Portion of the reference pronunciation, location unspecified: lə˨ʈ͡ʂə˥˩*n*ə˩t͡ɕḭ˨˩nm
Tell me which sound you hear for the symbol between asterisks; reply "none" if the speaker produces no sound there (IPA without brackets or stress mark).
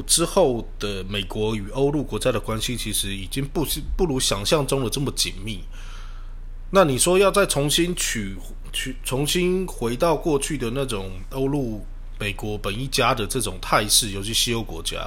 m